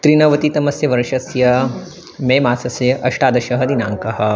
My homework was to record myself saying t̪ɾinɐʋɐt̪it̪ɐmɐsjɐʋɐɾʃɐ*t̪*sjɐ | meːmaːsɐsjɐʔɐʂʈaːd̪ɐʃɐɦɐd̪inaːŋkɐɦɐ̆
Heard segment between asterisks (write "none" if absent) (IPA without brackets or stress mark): none